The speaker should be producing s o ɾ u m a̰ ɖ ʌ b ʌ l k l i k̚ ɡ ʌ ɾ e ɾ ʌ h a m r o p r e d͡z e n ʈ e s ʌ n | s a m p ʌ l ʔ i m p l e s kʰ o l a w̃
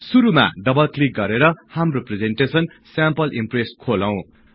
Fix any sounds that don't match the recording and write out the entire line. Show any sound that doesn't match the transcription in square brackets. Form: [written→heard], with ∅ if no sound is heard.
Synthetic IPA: s [o→u] ɾ u m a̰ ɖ ʌ b ʌ l k l i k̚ ɡ ʌ ɾ e ɾ ʌ h a m r o p r e d͡z e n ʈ e s ʌ n | s a m p ʌ l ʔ i m p [l→r] e s kʰ o l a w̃